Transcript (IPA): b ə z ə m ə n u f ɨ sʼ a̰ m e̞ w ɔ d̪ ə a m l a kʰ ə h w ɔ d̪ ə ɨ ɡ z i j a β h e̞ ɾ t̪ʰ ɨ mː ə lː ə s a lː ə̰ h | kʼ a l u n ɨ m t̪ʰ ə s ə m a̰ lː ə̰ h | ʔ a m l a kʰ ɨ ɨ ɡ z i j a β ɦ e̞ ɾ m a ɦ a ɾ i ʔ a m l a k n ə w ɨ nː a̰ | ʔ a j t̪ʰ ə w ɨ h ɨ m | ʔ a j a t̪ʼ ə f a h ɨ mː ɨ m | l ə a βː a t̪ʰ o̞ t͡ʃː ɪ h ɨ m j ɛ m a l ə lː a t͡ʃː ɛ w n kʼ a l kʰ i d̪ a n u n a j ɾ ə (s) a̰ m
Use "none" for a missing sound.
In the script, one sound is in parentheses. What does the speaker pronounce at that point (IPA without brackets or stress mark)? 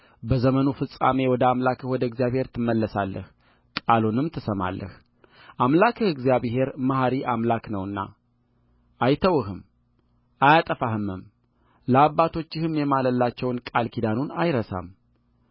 s